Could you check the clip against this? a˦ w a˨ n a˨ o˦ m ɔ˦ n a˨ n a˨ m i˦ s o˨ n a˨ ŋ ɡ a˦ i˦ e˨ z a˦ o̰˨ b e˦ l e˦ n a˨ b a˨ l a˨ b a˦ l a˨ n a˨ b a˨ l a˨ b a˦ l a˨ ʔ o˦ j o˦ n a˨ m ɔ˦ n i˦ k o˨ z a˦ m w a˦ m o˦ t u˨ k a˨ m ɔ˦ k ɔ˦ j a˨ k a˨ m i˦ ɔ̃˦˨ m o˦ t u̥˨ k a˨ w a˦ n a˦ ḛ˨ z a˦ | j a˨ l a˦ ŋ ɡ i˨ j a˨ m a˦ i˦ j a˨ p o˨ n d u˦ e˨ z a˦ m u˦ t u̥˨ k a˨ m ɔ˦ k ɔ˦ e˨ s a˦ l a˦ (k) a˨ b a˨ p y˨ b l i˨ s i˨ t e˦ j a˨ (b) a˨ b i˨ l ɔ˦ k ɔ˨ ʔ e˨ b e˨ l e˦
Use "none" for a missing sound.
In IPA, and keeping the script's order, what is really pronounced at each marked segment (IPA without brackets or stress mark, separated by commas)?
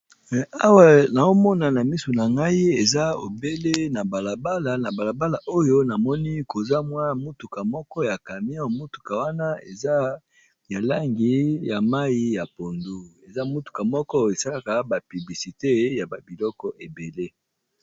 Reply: k, b